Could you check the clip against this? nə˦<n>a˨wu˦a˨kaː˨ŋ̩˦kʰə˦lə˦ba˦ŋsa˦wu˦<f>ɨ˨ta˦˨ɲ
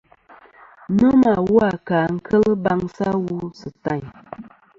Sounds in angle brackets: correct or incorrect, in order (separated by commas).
incorrect, incorrect